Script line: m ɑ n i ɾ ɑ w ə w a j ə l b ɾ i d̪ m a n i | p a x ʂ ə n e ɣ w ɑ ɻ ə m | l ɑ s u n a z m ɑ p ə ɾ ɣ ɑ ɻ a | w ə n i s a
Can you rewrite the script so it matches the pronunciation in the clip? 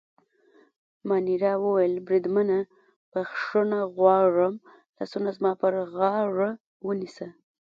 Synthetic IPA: m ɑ n i ɾ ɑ w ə w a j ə l b ɾ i d̪ m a n a | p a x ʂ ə n a ɣ w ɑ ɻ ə m | l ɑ s u n a z m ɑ p ə ɾ ɣ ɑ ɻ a | w ə n i s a